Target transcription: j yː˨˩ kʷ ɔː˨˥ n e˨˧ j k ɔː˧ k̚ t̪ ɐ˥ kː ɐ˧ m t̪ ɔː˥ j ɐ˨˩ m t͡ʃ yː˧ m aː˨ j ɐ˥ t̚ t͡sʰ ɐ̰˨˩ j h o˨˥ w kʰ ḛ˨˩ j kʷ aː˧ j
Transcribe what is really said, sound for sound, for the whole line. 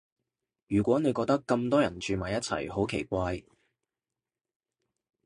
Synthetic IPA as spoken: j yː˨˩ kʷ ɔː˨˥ n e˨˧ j k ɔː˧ k̚ t̪ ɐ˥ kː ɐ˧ m t̪ ɔː˥ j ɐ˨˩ n t͡ʃ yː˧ m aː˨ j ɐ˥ t̚ t͡sʰ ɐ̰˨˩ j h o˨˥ w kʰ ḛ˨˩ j kʷ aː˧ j